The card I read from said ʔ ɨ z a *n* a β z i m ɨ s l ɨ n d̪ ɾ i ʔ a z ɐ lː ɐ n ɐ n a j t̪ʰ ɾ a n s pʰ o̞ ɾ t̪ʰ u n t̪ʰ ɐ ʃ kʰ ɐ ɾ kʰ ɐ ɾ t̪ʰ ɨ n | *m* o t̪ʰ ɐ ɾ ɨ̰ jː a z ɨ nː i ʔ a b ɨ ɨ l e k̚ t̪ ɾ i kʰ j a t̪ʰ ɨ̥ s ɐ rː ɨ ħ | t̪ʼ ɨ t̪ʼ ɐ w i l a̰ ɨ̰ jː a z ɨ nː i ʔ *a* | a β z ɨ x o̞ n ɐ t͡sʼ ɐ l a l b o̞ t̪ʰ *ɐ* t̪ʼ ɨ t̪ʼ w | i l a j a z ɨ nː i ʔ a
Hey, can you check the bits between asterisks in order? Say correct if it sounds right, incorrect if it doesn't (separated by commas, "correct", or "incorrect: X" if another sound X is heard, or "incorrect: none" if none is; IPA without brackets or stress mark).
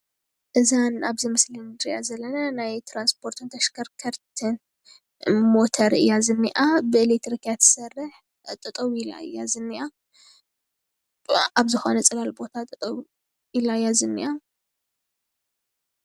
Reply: correct, correct, correct, incorrect: a